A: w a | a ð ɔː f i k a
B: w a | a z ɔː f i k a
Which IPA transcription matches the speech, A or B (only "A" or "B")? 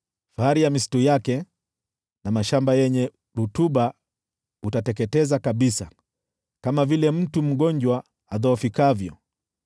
A